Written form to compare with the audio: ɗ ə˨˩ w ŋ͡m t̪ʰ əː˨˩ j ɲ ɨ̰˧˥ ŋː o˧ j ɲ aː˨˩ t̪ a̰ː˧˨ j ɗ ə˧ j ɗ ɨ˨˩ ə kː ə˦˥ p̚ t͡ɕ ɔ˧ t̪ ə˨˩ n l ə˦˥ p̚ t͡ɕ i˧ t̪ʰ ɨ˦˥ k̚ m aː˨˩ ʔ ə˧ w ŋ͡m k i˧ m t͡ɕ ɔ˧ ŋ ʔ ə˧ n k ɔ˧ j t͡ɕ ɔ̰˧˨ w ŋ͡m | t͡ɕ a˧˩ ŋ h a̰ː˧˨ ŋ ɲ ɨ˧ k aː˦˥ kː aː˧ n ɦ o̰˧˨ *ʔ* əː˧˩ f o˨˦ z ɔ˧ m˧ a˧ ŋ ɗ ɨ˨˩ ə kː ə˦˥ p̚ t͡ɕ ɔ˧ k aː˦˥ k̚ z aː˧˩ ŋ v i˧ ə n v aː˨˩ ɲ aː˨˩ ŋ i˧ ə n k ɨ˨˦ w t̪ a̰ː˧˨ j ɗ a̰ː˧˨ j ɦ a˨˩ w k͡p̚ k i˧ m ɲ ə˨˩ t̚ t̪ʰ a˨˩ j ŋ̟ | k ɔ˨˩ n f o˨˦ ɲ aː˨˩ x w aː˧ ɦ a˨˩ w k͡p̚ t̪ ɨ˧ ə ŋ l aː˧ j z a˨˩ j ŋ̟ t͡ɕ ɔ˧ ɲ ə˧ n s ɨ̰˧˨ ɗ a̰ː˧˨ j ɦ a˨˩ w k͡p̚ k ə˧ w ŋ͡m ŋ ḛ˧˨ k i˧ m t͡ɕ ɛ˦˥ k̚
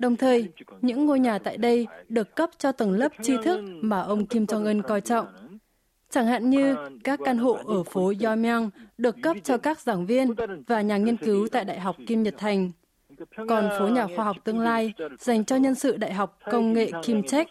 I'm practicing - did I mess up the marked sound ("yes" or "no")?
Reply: no